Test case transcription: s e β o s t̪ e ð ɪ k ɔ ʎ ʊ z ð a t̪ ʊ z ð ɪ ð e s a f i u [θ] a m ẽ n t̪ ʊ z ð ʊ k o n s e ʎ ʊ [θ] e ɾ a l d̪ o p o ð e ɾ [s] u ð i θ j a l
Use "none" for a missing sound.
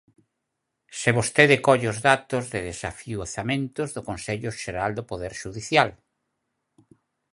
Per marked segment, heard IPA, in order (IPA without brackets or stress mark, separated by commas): θ, ʃ, ʃ